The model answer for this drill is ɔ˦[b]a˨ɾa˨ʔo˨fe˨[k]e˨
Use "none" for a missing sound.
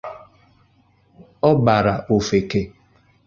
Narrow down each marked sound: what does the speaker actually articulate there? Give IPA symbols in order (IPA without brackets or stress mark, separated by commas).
b, k